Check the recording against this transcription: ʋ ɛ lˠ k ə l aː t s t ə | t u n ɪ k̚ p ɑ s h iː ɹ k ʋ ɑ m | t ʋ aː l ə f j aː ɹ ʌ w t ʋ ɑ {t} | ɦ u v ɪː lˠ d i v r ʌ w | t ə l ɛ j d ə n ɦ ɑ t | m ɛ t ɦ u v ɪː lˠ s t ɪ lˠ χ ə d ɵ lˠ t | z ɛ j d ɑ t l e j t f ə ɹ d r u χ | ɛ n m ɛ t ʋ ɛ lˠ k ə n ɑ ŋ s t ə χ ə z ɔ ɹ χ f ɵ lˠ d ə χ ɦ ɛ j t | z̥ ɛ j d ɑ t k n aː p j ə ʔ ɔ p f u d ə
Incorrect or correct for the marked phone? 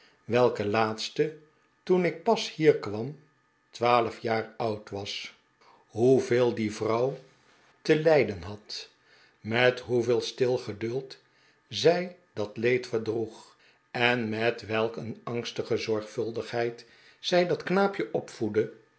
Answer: incorrect: s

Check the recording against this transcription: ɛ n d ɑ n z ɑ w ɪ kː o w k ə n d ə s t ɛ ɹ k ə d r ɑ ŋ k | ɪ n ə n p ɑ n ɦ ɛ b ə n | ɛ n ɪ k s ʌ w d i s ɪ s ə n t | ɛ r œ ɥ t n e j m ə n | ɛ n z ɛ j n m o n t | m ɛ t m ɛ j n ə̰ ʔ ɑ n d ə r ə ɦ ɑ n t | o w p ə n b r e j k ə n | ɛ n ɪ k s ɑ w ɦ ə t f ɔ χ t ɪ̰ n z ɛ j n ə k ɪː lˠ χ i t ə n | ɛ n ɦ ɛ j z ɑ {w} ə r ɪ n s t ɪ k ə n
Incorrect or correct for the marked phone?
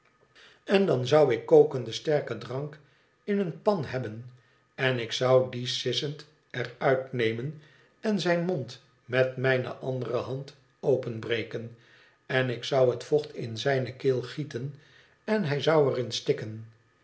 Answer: correct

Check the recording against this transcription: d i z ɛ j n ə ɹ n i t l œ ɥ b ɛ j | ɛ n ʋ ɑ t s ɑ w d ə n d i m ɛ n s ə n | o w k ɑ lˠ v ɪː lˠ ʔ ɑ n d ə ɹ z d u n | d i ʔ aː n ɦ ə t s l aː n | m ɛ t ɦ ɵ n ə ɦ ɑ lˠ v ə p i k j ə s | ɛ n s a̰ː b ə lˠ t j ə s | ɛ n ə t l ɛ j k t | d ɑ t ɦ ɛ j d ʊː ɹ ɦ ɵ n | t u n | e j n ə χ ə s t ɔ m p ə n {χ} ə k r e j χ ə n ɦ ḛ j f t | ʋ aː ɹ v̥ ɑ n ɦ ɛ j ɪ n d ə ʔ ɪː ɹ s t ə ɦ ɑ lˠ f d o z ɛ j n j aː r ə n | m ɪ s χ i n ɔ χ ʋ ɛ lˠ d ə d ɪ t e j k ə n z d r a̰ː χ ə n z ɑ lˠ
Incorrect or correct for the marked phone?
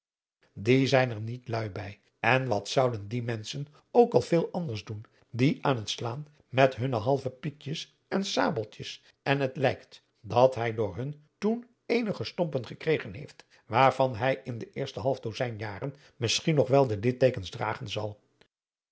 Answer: correct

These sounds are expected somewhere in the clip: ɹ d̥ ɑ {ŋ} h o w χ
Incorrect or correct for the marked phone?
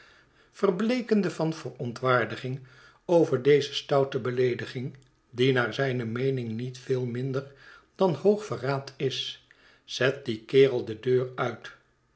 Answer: incorrect: n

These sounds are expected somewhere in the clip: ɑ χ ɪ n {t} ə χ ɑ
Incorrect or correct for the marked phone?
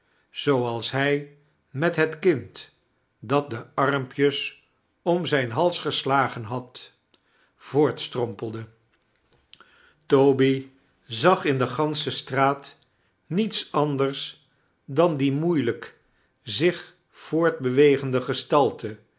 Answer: incorrect: d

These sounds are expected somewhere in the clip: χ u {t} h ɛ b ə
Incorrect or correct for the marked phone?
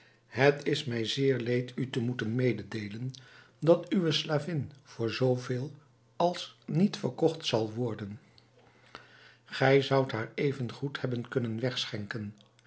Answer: correct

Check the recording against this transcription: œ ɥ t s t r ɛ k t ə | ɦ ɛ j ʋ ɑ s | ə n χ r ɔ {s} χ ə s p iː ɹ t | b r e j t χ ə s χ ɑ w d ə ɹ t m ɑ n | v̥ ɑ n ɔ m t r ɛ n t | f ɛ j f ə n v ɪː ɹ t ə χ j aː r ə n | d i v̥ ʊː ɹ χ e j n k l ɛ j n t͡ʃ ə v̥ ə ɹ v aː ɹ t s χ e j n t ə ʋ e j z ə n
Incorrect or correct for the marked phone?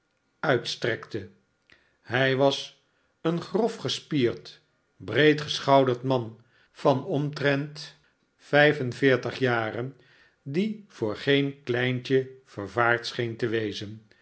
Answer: incorrect: f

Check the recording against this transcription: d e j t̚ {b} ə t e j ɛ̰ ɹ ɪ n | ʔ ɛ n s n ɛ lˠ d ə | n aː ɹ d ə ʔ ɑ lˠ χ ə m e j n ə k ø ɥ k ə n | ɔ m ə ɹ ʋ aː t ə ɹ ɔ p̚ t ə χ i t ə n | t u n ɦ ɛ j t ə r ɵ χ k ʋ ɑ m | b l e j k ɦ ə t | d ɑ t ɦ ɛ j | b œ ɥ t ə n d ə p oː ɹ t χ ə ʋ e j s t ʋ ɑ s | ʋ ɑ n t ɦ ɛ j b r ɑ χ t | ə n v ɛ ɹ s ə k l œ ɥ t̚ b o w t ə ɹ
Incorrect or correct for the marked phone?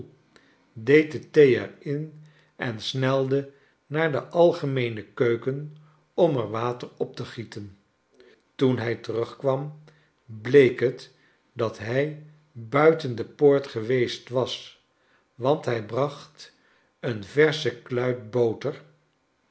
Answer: incorrect: d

